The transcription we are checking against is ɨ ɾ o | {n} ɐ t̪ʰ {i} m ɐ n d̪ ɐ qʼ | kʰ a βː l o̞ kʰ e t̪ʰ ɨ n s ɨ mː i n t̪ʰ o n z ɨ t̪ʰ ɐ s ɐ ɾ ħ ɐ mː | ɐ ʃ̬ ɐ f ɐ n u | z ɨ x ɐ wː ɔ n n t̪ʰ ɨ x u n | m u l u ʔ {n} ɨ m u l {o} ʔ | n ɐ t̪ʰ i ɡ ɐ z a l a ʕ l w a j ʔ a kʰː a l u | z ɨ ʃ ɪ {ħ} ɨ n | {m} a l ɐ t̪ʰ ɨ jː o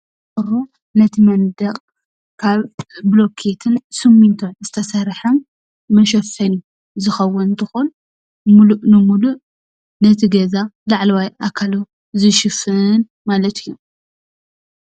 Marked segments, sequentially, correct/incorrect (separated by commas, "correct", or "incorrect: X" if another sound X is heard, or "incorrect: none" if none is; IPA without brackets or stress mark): correct, correct, correct, incorrect: u, incorrect: f, correct